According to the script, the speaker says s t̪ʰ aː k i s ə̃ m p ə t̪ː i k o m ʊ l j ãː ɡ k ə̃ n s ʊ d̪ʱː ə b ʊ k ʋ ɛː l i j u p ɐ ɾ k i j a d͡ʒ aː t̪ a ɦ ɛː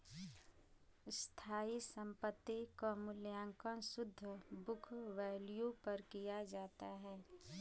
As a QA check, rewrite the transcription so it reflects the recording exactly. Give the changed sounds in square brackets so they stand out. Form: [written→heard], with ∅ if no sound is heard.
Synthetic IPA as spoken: s t̪ʰ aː [k→∅] i s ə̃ m p ə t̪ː i k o m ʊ l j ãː [ɡ→ŋ] k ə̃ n s ʊ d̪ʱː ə b ʊ [k→kʰ] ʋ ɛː l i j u p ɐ ɾ k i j a d͡ʒ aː t̪ a ɦ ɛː